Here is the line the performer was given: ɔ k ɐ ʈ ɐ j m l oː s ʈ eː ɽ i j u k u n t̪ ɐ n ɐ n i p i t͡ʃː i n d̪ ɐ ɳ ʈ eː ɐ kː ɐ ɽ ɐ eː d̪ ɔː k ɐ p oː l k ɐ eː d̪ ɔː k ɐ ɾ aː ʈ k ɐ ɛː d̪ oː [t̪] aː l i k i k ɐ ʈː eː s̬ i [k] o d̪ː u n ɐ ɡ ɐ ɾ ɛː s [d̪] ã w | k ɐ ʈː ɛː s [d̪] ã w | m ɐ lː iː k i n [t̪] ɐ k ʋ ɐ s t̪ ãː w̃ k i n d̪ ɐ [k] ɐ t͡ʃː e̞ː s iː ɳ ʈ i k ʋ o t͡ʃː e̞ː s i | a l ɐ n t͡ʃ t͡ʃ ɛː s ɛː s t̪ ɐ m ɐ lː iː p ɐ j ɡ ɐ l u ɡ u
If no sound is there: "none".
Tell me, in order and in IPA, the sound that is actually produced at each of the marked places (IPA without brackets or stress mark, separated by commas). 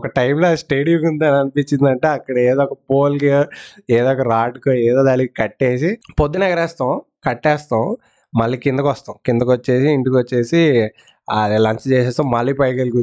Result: d̪, p, t̪, t̪, d̪, k